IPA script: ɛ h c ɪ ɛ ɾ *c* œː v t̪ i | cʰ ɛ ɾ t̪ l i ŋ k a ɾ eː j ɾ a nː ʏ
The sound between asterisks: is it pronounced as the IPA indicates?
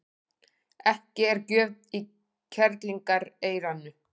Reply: yes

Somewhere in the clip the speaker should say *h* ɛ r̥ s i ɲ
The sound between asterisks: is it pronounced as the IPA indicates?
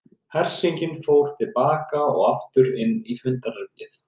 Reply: yes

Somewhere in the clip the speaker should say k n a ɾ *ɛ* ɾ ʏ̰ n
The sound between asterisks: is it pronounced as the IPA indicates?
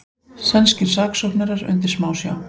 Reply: no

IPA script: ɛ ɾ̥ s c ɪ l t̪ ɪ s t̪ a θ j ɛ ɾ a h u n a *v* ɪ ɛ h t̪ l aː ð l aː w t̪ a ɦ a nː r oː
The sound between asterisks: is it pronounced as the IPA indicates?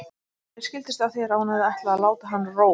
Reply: no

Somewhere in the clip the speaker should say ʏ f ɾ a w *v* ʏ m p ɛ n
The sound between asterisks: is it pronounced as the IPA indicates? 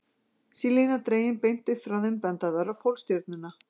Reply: no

